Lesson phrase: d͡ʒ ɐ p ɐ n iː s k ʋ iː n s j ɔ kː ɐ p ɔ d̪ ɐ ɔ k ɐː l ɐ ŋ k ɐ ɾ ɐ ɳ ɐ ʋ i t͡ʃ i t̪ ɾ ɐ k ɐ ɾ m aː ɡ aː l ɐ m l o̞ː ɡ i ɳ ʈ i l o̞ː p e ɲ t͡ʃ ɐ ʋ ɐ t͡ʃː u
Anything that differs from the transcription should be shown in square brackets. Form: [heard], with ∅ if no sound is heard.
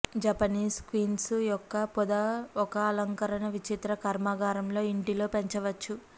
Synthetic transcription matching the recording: d͡ʒ ɐ p ɐ n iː s k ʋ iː n s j ɔ kː ɐ p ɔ d̪ ɐ ɔ k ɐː l ɐ ŋ k ɐ ɾ ɐ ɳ ɐ ʋ i t͡ʃ i t̪ ɾ ɐ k ɐ ɾ m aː ɡ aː [ɾ] ɐ m l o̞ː [∅] i ɳ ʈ i l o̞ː p e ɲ t͡ʃ ɐ ʋ ɐ t͡ʃː u